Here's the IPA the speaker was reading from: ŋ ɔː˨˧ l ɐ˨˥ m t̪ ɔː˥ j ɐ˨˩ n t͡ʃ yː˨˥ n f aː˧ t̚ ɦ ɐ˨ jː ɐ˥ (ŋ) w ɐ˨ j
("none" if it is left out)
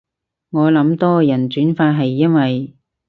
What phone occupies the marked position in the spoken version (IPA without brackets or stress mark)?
n